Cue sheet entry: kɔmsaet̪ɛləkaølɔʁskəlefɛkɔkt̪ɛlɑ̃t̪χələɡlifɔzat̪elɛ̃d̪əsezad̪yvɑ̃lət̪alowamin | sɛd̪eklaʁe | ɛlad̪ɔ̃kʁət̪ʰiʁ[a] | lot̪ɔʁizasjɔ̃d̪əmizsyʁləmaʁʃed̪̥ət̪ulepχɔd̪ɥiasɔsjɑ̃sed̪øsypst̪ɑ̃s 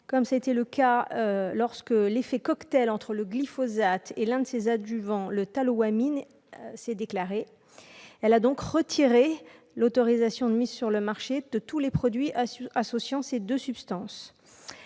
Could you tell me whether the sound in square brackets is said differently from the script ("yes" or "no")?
yes